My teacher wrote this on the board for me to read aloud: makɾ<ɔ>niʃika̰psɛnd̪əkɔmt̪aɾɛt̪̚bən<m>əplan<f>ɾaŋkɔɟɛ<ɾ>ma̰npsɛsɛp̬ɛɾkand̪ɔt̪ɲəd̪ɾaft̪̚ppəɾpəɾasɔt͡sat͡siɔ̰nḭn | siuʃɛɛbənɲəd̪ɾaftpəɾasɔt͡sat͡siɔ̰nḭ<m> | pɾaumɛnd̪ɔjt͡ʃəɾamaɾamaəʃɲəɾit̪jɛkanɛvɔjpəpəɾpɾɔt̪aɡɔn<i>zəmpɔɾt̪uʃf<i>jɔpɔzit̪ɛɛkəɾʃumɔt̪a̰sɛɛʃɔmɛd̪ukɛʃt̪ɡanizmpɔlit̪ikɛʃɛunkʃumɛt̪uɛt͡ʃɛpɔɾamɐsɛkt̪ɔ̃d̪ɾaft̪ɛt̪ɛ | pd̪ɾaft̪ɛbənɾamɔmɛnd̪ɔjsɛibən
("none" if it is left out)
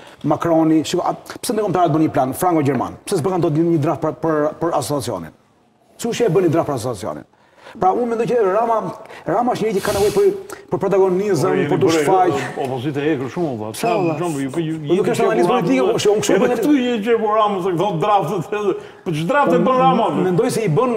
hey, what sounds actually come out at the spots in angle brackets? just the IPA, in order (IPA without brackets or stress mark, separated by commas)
ɔ, ɲ, f, ɾ, n, i, a